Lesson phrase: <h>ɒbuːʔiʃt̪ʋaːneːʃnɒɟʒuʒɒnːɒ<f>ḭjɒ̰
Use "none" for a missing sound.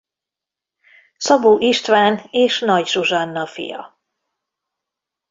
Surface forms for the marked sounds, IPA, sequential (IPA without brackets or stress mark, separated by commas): s, f